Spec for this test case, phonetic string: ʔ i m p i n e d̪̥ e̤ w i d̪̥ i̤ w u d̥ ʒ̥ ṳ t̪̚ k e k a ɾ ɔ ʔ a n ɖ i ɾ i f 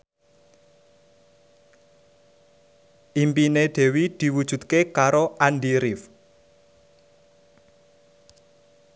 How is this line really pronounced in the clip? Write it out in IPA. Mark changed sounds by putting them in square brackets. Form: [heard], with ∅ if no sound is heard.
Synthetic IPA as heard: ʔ i m p i n e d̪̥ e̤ w i d̪̥ i̤ w u d̥ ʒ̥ ṳ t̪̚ k e k a ɾ [o] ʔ a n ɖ i ɾ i f